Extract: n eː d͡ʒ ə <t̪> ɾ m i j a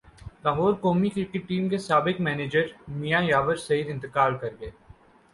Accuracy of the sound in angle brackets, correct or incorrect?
incorrect